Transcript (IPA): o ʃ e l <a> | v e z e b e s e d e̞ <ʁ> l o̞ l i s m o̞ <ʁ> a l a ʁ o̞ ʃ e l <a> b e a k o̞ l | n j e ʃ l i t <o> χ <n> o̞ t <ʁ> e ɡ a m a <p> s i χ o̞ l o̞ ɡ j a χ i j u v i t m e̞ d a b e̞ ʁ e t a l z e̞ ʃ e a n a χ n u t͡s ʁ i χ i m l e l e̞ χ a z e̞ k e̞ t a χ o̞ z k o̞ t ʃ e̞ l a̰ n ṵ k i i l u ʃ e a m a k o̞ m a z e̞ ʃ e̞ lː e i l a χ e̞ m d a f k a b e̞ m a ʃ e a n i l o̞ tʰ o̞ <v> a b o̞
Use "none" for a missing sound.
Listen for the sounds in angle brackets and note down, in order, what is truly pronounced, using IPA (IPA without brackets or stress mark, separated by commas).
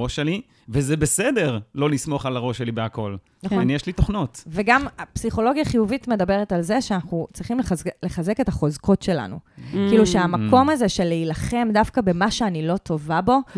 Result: i, ʁ, χ, i, o, n, v, p, v